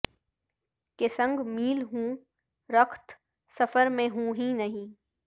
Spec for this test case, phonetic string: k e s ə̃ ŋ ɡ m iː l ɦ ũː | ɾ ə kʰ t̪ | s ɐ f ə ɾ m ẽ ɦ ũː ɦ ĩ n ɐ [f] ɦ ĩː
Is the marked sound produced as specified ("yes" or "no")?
no